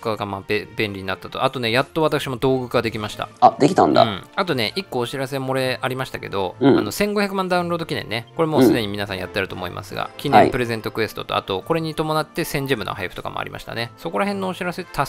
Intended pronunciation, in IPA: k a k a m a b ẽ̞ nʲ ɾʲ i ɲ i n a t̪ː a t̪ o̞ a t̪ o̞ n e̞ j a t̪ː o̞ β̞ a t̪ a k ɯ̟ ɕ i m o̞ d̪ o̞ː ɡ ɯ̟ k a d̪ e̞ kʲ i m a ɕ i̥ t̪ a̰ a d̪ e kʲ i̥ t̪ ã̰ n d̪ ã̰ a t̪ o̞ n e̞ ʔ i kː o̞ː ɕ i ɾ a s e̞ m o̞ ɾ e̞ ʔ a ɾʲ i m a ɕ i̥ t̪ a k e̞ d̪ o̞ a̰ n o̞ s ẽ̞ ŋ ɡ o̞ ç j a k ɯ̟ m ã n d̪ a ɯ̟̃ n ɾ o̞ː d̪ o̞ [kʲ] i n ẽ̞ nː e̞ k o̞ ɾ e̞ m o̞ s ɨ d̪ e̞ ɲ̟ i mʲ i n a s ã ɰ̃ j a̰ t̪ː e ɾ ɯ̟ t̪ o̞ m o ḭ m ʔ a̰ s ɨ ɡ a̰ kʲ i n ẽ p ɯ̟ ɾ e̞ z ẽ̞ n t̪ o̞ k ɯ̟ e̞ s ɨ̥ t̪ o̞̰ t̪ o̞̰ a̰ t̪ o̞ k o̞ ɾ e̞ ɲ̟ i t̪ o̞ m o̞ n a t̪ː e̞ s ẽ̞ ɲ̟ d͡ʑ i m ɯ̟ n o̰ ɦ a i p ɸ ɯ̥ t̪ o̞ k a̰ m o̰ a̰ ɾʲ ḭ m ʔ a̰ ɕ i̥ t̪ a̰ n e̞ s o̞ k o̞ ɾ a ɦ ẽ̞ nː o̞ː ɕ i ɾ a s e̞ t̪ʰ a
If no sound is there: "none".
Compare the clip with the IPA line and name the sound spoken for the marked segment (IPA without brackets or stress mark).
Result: kʲ